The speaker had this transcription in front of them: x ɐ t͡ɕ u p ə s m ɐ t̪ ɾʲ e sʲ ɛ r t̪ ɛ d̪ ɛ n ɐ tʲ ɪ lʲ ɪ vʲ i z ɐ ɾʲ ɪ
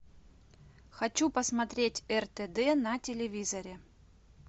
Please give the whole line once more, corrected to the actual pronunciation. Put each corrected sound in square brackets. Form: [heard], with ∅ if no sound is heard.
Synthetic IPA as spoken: x ɐ t͡ɕ u p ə s m ɐ t̪ ɾʲ e [tʲ] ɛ r t̪ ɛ d̪ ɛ n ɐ tʲ ɪ lʲ ɪ vʲ i z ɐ ɾʲ ɪ